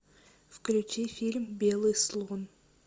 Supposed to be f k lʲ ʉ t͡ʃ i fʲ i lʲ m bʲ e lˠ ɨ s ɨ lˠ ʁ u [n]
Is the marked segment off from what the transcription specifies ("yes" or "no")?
no